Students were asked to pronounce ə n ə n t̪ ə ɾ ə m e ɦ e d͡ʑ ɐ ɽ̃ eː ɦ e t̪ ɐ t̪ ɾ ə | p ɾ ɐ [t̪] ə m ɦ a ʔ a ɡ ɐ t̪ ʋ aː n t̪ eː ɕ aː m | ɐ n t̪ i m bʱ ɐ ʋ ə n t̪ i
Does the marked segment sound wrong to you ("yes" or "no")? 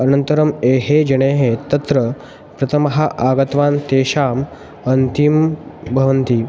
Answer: yes